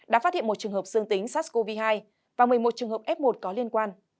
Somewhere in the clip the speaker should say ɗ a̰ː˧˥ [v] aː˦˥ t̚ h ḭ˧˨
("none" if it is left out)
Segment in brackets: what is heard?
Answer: f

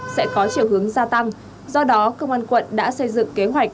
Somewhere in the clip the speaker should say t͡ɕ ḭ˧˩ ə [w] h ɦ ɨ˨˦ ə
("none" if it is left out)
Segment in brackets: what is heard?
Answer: w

